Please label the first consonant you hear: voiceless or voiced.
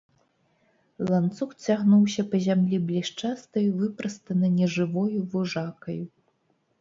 voiced